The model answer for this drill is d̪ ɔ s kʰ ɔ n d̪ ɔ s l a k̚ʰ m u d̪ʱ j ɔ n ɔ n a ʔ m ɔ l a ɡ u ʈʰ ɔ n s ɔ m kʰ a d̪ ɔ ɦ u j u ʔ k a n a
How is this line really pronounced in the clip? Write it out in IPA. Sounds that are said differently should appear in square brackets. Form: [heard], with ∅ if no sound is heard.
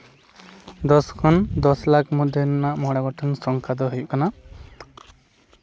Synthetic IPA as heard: d̪ ɔ s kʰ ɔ n d̪ ɔ s l a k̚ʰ m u d̪ʱ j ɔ n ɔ n a ʔ m ɔ [ɽ] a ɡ [ɔ] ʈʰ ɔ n s ɔ [ŋ] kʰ a d̪ ɔ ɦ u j u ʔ k a n a